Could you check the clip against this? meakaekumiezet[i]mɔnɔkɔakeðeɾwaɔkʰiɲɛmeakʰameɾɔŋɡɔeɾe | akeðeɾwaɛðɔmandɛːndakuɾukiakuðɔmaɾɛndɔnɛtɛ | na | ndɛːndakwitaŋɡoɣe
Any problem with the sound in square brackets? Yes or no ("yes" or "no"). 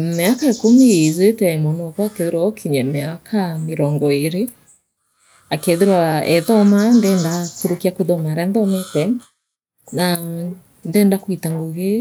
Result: yes